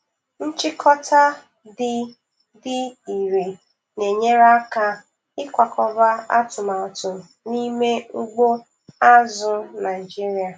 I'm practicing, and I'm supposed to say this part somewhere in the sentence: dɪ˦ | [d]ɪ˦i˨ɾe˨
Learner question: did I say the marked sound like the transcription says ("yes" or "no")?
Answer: yes